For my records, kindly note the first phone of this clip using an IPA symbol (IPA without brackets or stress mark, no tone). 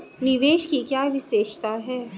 n